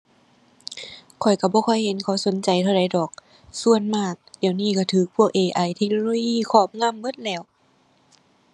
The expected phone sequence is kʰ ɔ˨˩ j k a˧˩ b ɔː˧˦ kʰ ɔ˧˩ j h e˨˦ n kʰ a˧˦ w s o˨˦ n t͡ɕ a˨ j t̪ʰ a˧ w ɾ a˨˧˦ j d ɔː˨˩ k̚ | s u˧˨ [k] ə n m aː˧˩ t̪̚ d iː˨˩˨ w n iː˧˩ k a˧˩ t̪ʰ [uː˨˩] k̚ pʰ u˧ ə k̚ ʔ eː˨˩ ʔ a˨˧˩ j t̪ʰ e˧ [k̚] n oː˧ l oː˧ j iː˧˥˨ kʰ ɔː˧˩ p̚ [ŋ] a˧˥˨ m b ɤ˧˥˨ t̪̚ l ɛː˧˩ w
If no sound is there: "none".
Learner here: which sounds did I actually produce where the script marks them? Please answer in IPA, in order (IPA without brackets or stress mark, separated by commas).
none, ɯː˨˩, k̚, ŋ